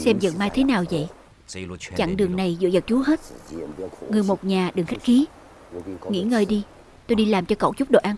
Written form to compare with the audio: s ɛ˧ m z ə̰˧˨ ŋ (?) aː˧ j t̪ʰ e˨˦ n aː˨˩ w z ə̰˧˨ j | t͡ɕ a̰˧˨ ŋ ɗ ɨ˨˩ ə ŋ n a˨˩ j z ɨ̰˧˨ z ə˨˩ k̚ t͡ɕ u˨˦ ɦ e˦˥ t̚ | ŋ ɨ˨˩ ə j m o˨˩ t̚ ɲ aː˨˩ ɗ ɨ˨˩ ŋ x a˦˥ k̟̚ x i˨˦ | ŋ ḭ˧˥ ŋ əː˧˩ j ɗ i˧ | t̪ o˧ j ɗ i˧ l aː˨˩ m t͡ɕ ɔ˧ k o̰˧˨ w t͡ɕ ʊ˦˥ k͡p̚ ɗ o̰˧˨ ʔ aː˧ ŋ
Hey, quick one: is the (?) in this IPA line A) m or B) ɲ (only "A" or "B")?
A